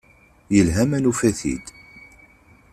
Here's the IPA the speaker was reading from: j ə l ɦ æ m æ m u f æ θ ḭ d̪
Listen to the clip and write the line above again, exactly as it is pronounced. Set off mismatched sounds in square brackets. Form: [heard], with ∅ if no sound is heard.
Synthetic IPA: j ə l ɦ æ m æ [n] u f æ θ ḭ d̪